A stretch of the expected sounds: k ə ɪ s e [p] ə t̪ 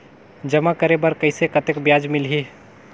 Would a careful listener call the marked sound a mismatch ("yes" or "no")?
yes